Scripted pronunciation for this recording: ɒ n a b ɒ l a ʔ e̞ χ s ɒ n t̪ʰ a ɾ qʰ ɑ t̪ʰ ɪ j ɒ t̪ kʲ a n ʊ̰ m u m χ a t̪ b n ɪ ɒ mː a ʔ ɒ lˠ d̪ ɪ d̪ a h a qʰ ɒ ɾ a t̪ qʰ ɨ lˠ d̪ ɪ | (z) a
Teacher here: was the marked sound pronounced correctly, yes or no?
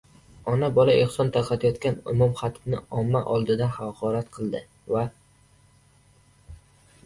no